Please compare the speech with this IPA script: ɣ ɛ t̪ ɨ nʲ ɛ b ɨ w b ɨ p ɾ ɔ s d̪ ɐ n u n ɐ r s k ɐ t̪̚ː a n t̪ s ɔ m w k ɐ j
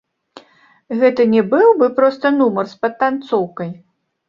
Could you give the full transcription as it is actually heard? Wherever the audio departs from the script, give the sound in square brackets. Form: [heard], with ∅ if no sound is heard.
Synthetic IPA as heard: ɣ ɛ t̪ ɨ nʲ ɛ b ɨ w b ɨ p ɾ ɔ s [t̪] ɐ n u [m] ɐ r s [p] ɐ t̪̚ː a n t̪ s ɔ [∅] w k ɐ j